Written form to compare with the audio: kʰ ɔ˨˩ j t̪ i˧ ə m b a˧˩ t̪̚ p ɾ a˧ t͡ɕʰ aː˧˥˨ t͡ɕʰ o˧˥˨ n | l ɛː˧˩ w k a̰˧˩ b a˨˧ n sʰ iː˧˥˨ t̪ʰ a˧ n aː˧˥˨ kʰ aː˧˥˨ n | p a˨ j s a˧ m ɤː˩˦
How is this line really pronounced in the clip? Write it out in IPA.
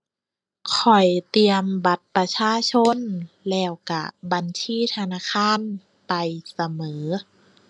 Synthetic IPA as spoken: kʰ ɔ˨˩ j t̪ i˧ ə m b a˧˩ t̪̚ p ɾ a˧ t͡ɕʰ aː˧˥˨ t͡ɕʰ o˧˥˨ n | l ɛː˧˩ w k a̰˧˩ b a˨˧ n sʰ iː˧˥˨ t̪ʰ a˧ n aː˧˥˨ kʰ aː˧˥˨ n | p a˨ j s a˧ m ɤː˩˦